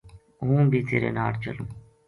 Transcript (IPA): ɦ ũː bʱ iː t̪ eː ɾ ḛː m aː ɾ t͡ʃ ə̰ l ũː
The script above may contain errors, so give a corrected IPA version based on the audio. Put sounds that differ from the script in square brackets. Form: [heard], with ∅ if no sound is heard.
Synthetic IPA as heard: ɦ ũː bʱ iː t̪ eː ɾ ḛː [n] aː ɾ t͡ʃ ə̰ l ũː